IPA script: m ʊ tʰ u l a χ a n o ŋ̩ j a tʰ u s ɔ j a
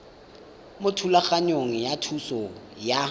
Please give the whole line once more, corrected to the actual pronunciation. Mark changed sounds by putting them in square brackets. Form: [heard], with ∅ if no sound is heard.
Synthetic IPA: m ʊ tʰ u l a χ a [ɲ] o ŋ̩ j a tʰ u s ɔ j a